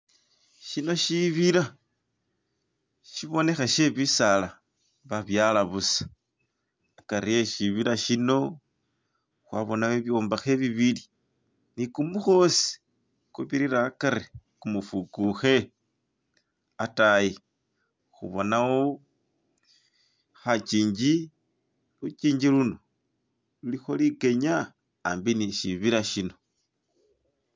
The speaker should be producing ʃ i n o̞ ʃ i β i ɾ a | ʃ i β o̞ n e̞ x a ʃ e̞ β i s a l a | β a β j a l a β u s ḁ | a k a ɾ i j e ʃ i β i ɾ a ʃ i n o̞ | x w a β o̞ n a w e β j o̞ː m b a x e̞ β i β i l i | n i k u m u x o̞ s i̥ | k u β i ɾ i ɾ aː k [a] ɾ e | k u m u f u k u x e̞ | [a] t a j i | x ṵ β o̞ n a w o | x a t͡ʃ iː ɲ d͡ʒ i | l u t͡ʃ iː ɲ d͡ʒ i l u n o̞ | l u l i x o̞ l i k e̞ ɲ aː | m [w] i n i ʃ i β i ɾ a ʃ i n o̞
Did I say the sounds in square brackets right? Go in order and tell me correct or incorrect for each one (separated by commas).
correct, correct, incorrect